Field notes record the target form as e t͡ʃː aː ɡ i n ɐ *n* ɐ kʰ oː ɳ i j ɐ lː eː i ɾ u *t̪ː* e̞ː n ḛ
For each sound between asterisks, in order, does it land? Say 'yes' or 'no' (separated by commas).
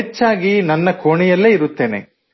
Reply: no, yes